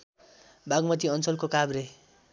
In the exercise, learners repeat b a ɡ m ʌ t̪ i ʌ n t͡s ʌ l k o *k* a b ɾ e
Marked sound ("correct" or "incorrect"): correct